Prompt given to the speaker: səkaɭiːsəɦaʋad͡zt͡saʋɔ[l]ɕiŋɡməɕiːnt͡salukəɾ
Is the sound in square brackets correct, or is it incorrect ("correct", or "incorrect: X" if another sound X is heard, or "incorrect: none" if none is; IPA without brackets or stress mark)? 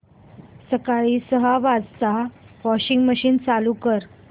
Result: incorrect: none